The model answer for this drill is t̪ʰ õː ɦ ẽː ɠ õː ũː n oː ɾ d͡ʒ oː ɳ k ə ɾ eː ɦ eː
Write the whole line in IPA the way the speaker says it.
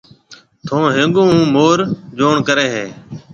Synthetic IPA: t̪ʰ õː ɦ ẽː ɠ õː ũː m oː ɾ d͡ʒ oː ɳ k ə ɾ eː ɦ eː